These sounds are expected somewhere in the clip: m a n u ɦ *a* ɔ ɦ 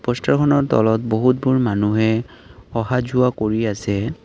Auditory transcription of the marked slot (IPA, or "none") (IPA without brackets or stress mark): ɛ